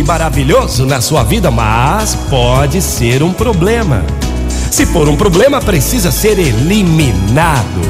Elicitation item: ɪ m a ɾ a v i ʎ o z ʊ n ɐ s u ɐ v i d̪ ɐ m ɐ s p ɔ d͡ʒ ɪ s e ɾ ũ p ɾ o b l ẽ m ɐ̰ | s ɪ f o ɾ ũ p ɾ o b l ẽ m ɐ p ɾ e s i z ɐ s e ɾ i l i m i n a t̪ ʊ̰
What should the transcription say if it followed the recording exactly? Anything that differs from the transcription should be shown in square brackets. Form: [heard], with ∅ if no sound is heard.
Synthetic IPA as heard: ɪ m a ɾ a v i ʎ o z ʊ n ɐ s u ɐ v i d̪ ɐ m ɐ s p ɔ d͡ʒ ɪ s e ɾ ũ p ɾ o b l ẽ m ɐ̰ | s ɪ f o ɾ ũ p ɾ o b l ẽ m ɐ p ɾ e s i z ɐ s e ɾ [e] l i m i n a [d̪] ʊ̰